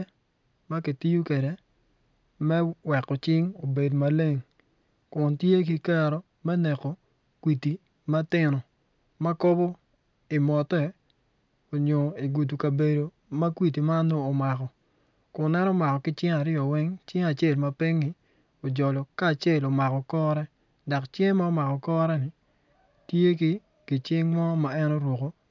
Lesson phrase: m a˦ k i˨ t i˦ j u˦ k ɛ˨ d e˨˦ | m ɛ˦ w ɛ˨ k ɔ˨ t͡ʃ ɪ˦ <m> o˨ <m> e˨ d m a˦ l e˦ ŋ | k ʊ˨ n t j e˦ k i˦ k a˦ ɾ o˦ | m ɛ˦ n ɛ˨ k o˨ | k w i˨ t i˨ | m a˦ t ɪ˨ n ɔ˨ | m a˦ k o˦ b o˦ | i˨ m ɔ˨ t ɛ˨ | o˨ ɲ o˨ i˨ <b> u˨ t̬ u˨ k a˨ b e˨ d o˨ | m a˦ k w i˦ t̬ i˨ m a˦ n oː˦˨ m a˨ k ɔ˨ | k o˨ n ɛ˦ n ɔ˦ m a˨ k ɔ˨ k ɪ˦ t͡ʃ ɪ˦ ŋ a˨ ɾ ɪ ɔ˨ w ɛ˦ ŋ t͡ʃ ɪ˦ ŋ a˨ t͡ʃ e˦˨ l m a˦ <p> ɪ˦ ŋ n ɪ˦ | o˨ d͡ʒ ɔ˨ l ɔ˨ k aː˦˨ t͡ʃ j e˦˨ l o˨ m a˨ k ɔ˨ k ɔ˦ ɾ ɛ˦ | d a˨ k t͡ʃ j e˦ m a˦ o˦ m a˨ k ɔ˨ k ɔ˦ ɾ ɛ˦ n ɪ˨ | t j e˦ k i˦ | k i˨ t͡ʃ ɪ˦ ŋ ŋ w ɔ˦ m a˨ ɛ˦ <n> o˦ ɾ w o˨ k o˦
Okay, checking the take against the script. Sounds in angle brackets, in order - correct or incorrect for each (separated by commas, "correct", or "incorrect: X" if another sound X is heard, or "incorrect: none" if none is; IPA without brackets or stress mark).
incorrect: ŋ, incorrect: b, incorrect: ɡ, correct, correct